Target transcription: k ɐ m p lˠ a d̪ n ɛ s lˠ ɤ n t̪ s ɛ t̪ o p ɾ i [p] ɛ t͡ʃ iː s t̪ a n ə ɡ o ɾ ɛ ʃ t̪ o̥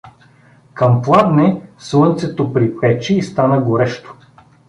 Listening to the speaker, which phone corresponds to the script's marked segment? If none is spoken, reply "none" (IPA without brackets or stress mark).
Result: p